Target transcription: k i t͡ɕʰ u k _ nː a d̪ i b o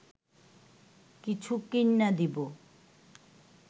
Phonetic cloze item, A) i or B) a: A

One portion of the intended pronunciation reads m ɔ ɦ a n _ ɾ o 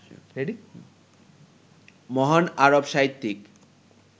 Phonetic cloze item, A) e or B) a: B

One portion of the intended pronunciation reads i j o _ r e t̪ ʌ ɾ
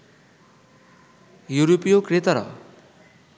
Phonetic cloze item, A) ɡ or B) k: B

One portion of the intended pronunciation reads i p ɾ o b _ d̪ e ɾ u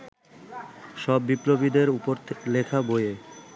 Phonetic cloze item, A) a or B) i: B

